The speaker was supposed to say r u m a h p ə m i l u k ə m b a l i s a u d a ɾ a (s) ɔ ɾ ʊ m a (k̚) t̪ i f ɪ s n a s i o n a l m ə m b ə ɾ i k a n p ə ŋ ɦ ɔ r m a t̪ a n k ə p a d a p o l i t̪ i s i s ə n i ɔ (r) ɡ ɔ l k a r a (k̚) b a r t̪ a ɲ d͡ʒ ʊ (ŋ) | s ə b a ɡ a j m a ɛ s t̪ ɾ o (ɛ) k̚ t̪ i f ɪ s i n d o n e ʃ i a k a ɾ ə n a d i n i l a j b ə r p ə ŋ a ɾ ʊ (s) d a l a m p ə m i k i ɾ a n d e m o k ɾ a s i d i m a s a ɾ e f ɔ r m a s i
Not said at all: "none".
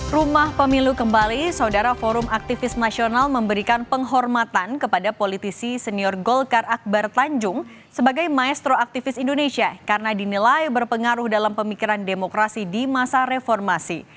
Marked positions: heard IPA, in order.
f, k̚, r, k̚, ŋ, a, h

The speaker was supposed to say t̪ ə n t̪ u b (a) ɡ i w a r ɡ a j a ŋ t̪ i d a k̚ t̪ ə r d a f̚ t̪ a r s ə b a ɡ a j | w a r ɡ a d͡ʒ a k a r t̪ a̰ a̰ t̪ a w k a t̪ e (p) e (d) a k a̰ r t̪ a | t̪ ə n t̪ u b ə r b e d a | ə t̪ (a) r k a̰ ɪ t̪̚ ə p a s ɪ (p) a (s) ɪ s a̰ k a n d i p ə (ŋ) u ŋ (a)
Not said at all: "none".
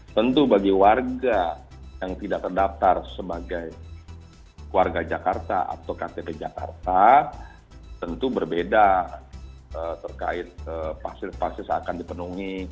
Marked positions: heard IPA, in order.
a, p, d͡ʒ, ə, p, s, n, i

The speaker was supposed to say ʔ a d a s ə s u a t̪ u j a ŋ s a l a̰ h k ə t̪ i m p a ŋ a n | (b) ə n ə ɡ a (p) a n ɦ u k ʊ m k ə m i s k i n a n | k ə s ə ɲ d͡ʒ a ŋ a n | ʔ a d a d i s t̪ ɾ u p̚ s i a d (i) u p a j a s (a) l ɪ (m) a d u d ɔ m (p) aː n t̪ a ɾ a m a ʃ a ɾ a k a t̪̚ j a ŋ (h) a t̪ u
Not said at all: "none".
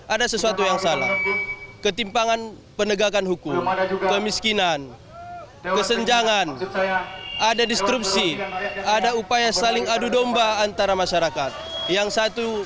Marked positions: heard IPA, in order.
p, k, a, a, ŋ, b, s

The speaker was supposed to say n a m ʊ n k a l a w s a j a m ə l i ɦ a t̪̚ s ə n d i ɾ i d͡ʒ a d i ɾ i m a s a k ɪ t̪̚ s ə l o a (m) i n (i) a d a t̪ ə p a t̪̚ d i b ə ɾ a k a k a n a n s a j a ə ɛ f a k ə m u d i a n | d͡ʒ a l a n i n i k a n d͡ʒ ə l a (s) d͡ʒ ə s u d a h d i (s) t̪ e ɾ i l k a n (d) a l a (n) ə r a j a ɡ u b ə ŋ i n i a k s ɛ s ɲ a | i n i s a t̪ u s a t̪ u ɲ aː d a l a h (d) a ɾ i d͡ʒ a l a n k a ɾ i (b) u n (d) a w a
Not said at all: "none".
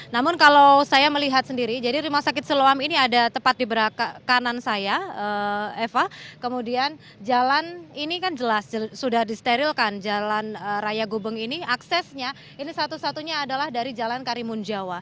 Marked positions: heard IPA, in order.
m, i, s, s, d͡ʒ, n, d, m, d͡ʒ

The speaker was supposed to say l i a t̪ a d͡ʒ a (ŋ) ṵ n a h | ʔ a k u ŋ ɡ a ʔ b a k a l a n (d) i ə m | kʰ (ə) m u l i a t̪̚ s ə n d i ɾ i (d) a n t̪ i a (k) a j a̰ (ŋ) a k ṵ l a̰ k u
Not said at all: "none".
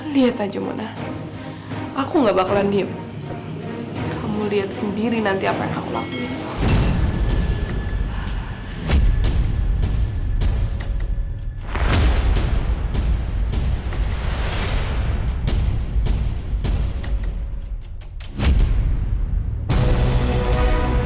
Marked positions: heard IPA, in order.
m, d, a, n, p, ŋ

